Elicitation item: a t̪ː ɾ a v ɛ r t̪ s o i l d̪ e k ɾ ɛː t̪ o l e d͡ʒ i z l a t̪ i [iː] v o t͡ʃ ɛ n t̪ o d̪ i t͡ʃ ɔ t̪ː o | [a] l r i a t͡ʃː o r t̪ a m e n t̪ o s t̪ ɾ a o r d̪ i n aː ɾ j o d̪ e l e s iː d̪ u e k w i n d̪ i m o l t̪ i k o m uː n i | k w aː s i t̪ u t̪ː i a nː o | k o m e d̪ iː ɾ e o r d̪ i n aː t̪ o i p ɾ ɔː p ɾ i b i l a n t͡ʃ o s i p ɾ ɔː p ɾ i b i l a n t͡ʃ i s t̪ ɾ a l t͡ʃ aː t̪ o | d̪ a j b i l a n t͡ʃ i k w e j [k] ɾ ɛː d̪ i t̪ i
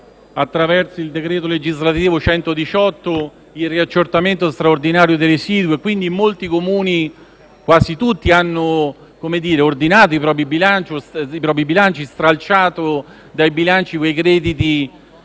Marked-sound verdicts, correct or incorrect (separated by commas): correct, incorrect, correct